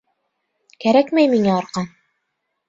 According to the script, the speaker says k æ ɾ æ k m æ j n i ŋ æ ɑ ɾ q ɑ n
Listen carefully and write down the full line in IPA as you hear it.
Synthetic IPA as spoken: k æ ɾ æ k m æ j m i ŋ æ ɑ ɾ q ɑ n